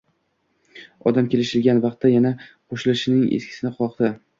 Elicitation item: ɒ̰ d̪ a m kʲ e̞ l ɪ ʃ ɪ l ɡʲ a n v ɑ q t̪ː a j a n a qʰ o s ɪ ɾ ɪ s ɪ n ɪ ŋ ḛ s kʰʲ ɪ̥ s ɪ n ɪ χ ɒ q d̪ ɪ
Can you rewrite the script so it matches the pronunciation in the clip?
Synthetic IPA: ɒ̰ d̪ a m kʲ e̞ l ɪ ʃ ɪ l ɡʲ a n v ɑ q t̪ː a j a n a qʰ o ʃ ɪ l ɪ ʃ ɪ n ɪ ŋ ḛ s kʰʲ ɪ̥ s ɪ n ɪ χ ɒ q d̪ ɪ